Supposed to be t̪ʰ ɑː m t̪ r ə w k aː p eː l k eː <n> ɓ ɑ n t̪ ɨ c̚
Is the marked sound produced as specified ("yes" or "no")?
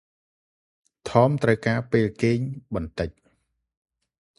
no